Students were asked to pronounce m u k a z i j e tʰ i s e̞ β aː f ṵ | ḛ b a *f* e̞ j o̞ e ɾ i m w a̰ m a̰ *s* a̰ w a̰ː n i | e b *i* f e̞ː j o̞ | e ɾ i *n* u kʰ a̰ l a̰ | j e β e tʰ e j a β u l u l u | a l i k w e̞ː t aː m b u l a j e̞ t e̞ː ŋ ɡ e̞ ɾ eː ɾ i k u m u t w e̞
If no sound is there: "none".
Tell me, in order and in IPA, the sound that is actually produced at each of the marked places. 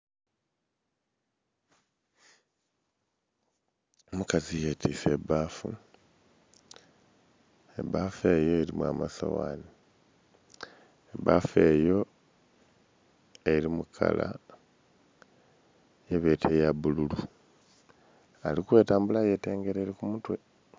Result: f, s, a, m

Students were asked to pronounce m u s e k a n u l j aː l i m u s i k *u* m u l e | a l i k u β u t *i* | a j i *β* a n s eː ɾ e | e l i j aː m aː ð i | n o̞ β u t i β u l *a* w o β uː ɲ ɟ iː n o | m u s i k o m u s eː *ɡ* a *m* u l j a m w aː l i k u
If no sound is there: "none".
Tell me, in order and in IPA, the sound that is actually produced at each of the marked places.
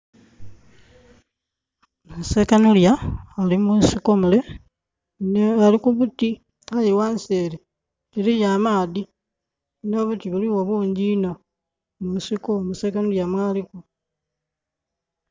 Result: o, i, w, i, k, n

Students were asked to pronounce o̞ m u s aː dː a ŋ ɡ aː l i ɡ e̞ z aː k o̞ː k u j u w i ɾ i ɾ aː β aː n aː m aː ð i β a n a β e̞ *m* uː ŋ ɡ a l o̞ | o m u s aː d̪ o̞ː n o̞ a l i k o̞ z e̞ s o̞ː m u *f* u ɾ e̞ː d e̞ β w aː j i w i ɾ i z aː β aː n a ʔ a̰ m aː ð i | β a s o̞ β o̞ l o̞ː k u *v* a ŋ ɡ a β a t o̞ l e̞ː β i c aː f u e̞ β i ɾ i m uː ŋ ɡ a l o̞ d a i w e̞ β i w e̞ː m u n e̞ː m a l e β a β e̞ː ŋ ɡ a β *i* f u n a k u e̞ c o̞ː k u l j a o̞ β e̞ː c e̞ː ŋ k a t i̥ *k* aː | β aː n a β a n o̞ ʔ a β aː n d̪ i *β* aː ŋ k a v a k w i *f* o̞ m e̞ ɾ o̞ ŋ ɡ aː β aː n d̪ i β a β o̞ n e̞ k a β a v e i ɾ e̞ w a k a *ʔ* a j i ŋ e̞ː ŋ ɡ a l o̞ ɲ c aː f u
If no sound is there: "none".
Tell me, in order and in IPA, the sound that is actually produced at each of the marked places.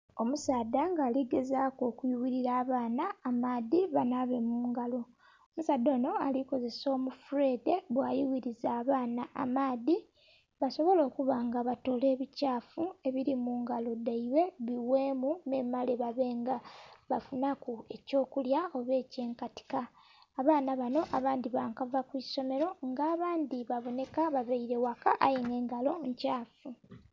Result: m, f, β, a, k, β, s, ʔ

